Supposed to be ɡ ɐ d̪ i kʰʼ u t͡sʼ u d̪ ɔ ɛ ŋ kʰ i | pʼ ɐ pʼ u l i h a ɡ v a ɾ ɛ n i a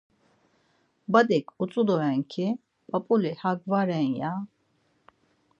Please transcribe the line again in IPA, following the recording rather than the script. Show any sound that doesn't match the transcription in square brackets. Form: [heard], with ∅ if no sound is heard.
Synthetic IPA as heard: [b] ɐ d̪ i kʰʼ u t͡sʼ u d̪ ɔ ɛ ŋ kʰ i | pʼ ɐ pʼ u l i h a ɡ v a ɾ ɛ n [j] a